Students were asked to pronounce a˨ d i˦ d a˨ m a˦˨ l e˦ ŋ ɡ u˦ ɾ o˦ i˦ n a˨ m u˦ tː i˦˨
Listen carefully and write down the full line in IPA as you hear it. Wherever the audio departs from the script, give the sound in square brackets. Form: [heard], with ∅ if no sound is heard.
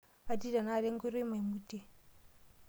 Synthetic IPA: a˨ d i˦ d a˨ [n] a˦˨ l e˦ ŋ ɡ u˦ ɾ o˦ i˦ [m] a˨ m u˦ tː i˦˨